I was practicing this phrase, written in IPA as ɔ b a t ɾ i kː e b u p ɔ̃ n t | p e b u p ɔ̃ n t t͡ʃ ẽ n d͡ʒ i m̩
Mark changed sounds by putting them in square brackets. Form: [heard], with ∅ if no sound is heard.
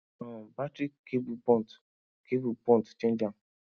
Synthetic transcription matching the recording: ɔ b a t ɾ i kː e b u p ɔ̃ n t | [k] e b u p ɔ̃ n t t͡ʃ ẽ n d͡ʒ [a] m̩